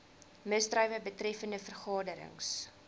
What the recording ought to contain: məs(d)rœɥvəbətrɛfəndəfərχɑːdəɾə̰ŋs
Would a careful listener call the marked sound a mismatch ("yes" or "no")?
no